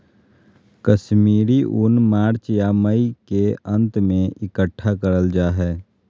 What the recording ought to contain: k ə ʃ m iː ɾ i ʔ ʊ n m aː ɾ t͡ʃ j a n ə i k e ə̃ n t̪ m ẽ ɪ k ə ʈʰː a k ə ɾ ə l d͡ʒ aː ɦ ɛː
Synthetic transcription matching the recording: k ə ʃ m iː ɾ i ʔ ʊ n m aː ɾ t͡ʃ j a m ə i k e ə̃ n t̪ m ẽ ɪ k ə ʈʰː a k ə ɾ ə l d͡ʒ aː ɦ ɛː